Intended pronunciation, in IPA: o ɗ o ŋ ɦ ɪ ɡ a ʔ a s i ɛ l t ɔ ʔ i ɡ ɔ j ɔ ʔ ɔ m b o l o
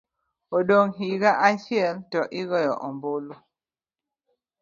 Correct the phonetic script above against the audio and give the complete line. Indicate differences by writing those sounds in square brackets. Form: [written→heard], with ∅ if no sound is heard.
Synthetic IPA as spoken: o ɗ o ŋ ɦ [ɪ→i] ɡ a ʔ a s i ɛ l t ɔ ʔ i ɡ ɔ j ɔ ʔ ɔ m b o l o

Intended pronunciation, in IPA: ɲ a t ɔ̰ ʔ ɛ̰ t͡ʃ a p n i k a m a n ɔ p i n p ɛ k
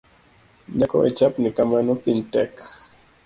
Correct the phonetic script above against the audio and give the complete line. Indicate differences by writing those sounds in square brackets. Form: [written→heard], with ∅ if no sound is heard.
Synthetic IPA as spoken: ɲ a [t→k] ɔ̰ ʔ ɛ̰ t͡ʃ a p n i k a m a n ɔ p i n [p→t] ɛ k

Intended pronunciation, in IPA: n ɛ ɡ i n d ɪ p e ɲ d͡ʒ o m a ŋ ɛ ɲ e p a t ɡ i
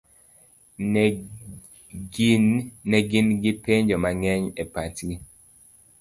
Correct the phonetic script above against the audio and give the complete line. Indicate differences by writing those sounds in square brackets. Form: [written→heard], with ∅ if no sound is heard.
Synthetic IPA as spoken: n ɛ ɡ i n [d→ɡ] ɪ p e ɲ d͡ʒ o m a ŋ ɛ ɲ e p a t ɡ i

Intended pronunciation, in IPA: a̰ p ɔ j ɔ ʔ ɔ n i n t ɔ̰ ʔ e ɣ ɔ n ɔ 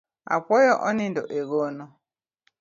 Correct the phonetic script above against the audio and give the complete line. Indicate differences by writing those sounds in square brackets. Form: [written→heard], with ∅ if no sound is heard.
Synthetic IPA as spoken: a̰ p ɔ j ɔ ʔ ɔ n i n [t→d] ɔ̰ ʔ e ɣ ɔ n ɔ

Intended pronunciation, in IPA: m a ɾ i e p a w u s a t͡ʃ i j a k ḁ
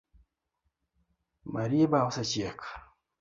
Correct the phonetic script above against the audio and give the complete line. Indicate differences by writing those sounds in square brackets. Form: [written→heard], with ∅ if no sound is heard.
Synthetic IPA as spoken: m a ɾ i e [p→b] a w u s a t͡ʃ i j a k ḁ

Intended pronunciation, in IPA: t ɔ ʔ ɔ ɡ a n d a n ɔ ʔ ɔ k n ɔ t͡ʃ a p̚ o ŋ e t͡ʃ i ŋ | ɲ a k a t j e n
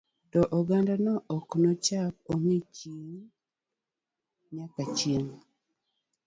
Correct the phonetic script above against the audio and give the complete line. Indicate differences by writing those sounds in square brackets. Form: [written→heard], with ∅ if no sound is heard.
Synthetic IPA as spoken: t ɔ ʔ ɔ ɡ a n d a n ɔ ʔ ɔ k n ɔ t͡ʃ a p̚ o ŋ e t͡ʃ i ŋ | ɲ a k a [t→t͡ʃ] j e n

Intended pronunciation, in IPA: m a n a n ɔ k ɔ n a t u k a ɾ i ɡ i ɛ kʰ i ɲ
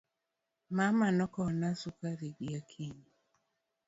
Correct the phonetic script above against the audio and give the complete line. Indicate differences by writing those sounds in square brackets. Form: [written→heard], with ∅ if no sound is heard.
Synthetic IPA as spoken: m a [n→m] a n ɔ k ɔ n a [t→s] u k a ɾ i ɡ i [ɛ→a] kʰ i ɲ

